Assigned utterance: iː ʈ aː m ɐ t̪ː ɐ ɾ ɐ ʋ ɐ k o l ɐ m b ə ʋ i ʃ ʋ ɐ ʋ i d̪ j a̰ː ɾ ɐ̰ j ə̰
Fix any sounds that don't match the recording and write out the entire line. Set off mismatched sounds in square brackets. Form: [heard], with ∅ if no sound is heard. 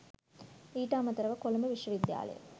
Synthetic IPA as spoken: iː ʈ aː m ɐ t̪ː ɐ ɾ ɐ ʋ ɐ k o l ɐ m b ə ʋ i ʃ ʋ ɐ ʋ i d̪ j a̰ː [l] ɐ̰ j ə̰